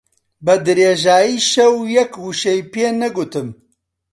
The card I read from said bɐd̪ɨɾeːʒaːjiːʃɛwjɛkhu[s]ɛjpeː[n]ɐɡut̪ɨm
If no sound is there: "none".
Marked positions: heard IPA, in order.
ʃ, n

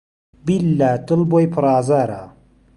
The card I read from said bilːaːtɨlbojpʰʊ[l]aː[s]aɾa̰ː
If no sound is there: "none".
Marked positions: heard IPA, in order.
ɾ, z

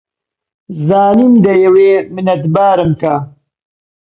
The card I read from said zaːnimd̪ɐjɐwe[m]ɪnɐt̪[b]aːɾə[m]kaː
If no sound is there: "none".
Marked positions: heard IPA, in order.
m, b, m

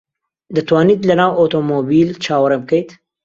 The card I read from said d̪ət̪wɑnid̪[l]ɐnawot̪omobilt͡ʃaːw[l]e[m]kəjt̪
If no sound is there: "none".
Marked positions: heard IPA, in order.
l, ɾ, m

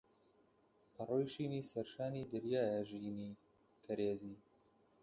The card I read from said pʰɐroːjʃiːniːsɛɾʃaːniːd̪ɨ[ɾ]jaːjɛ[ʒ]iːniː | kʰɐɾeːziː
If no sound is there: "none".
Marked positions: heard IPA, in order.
ɾ, ʒ

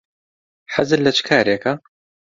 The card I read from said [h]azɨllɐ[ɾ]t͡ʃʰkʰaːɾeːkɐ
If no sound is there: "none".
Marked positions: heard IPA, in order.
ħ, none

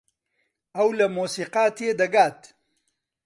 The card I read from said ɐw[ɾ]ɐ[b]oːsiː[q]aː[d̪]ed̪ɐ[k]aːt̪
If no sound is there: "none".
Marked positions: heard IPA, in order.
l, m, q, t̪, ɡ

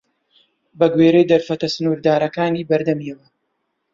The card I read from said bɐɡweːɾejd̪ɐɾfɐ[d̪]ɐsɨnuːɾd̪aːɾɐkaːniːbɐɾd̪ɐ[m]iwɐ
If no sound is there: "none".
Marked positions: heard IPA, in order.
t̪, m

